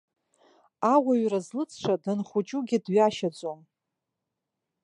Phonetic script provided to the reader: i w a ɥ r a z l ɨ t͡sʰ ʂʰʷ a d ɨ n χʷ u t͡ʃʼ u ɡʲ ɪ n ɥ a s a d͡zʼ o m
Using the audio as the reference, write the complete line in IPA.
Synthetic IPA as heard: a w a ɥ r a z l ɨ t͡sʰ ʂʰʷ a d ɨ n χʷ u t͡ʃʼ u ɡʲ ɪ d ɥ a ʃ a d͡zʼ o m